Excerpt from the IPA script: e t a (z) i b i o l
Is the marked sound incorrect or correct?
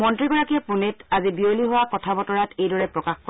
correct